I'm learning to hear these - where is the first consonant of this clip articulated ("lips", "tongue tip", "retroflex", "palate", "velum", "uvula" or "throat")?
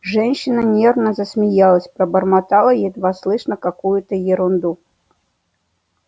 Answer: retroflex